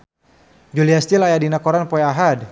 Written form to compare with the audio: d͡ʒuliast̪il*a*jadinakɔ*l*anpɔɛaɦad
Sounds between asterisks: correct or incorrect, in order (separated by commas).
correct, incorrect